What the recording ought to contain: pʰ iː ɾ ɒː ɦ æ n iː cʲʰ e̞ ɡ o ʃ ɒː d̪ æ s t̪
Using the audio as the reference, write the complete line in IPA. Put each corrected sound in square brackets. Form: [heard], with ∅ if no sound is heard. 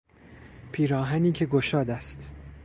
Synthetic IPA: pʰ iː ɾ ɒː ɦ æ n iː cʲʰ e̞ ɡ o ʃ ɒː d̪ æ s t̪